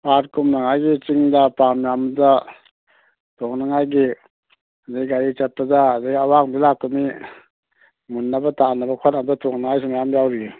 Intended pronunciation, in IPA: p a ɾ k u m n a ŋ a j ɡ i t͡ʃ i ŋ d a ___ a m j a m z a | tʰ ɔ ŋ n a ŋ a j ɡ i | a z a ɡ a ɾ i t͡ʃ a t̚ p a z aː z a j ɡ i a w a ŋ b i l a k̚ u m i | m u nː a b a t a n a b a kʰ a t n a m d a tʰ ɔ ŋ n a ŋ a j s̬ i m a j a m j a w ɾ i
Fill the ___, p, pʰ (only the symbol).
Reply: p